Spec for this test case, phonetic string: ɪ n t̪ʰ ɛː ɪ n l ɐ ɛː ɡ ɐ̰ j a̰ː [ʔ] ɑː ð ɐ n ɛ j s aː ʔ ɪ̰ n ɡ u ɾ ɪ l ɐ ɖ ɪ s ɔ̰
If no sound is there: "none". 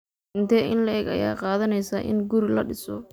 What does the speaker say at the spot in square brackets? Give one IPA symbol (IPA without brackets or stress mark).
q